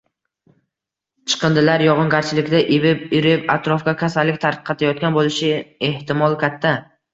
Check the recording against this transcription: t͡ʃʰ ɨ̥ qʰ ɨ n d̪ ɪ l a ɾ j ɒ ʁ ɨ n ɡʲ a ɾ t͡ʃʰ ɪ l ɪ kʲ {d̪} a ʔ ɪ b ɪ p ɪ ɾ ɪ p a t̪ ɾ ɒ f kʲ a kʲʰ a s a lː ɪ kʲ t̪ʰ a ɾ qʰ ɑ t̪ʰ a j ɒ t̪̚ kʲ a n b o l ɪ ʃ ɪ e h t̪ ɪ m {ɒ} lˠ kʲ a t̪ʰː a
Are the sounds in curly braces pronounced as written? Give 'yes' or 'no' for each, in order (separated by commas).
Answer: yes, yes